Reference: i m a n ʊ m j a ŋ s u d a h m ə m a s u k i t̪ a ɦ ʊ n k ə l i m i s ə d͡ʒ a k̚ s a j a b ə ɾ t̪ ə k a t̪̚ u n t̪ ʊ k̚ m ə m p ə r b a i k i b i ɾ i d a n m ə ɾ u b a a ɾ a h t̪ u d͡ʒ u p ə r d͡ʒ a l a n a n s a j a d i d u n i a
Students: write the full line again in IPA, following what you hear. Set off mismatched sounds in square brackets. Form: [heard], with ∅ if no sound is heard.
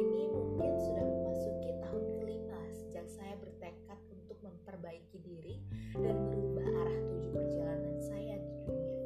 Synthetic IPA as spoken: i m [i] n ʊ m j a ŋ s u d a h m ə m a s u k i t̪ a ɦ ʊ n k ə l i m [a] s ə d͡ʒ a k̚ s a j a b ə [r] t̪ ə k a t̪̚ u n t̪ ʊ k̚ m ə m p ə r b a i k i [d] i ɾ i d a n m ə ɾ u b a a ɾ a h t̪ u d͡ʒ u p ə r d͡ʒ a l a n a n s a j a d i d u n i a